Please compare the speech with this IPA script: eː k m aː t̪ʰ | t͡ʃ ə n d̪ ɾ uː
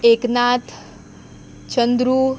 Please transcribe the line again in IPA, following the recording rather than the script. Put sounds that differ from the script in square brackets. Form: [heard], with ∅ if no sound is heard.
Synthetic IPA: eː k [n] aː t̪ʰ | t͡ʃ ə n d̪ ɾ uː